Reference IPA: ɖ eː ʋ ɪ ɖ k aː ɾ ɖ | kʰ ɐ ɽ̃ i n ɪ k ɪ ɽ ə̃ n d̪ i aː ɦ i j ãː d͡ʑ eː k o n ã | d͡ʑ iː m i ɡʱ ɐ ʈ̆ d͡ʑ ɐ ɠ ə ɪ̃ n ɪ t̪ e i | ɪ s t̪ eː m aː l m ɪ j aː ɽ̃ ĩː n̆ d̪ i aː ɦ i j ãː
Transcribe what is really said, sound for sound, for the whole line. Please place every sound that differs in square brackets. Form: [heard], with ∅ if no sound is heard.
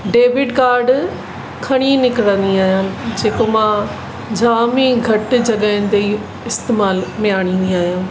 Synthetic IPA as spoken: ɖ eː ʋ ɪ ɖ k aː ɾ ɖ | kʰ ɐ ɽ̃ i n ɪ k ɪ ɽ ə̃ n d̪ i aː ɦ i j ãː d͡ʑ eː k o [m] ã | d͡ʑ [aː] m i ɡʱ ɐ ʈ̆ d͡ʑ ɐ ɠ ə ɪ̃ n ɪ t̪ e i | ɪ s t̪ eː m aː l m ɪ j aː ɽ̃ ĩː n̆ d̪ i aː ɦ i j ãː